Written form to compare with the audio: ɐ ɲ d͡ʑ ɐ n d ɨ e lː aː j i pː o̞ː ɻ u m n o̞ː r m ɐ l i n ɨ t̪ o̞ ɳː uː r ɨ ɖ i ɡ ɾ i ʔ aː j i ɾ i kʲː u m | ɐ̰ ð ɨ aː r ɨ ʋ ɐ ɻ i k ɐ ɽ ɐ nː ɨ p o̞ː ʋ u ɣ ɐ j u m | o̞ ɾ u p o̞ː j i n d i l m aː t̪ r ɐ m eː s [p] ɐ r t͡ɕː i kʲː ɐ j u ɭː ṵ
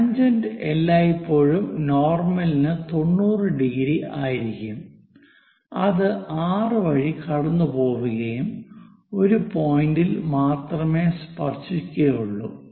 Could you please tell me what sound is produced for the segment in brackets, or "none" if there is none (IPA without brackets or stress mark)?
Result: p